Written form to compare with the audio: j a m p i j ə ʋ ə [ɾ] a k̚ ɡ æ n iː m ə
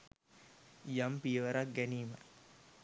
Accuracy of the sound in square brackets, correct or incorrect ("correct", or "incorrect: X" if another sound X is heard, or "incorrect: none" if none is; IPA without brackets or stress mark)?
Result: correct